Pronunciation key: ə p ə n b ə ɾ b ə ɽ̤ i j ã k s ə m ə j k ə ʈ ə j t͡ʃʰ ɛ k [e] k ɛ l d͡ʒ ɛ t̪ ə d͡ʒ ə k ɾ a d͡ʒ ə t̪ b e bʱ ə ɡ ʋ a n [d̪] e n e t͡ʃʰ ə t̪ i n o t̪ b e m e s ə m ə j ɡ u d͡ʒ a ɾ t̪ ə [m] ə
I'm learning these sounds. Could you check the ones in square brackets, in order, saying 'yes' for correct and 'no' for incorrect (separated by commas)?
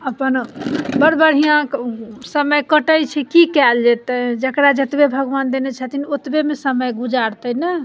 no, yes, no